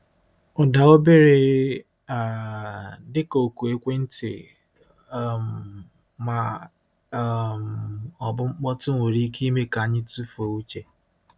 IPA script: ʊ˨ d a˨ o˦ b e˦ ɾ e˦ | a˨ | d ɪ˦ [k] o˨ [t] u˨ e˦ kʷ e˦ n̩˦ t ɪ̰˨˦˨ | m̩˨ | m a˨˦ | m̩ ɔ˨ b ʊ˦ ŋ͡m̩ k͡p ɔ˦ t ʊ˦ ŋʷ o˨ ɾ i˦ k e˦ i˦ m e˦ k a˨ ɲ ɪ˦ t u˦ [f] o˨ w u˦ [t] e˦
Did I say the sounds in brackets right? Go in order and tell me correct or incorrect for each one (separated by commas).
correct, incorrect, correct, incorrect